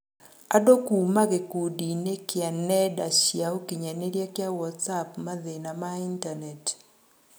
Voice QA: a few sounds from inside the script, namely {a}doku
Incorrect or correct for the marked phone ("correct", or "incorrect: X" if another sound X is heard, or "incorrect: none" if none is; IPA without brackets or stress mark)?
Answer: correct